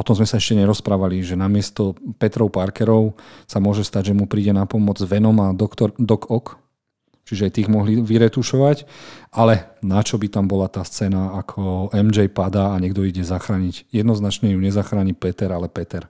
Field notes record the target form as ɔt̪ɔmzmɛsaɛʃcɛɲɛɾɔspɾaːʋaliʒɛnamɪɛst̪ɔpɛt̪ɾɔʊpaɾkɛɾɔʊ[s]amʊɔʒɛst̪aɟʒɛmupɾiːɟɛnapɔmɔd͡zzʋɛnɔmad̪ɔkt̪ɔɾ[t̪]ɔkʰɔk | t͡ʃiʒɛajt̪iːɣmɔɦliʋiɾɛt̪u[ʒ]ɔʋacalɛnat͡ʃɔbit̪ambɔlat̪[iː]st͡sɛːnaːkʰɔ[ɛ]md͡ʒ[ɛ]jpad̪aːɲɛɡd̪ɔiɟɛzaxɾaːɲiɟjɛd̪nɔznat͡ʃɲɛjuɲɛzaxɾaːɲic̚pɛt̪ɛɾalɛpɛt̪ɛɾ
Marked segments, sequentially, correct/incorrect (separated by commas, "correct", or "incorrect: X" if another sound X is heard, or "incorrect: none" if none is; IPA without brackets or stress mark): correct, incorrect: d̪, incorrect: ʃ, incorrect: aː, correct, correct